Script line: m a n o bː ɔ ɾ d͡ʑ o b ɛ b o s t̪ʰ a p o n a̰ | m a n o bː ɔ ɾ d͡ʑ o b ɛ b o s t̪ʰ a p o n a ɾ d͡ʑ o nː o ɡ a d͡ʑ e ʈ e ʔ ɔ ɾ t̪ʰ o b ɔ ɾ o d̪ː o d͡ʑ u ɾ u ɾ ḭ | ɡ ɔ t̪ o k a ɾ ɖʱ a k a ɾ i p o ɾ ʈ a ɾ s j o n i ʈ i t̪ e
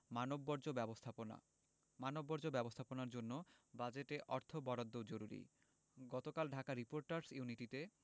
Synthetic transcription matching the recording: m a n o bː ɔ ɾ d͡ʑ o b ɛ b o s t̪ʰ a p o n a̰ | m a n o bː ɔ ɾ d͡ʑ o b ɛ b o s t̪ʰ a p o n a ɾ d͡ʑ o nː o b a d͡ʑ e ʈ e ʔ ɔ ɾ t̪ʰ o b ɔ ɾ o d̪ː o d͡ʑ o ɾ u ɾ ḭ | ɡ ɔ t̪ o k a l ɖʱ a k a ɾ i p o ɾ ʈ a ɾ s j u n i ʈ i t̪ e